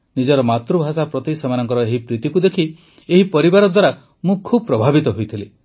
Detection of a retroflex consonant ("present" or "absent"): absent